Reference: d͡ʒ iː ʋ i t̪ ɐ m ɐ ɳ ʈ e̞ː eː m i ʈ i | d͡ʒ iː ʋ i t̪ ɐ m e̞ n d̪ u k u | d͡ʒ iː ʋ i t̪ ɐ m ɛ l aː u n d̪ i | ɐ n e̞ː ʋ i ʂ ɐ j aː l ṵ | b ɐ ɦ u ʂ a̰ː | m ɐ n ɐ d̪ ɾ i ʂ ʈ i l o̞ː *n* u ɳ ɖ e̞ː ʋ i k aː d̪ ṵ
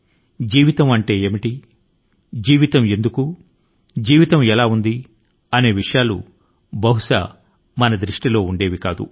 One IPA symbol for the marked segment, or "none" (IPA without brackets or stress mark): none